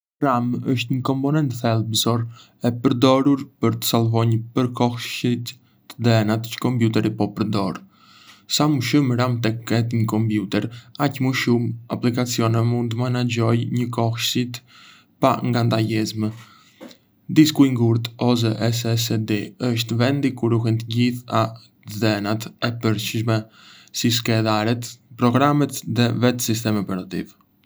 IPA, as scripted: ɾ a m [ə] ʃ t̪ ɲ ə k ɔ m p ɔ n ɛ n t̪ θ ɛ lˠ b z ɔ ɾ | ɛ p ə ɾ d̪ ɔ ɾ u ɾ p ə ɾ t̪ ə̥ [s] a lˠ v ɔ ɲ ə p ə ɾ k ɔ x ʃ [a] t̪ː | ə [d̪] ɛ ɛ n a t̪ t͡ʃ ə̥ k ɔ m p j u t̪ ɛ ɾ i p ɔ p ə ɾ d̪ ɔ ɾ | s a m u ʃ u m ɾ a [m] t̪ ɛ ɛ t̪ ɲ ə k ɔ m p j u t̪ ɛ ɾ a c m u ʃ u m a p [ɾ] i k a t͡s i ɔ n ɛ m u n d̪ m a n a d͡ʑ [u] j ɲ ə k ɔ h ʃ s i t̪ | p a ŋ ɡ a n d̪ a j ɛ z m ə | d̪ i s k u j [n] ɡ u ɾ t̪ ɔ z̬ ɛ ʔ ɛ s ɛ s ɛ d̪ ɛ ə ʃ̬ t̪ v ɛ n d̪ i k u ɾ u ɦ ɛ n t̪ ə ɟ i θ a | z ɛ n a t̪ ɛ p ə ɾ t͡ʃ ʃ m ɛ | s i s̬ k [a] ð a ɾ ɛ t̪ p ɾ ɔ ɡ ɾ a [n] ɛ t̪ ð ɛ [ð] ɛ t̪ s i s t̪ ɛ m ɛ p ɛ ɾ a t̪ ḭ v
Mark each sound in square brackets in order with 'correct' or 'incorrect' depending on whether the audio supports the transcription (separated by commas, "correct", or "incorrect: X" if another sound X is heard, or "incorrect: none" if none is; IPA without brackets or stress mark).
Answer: correct, correct, incorrect: i, correct, correct, incorrect: l, incorrect: ɔ, incorrect: ŋ, incorrect: ɛ, incorrect: m, incorrect: v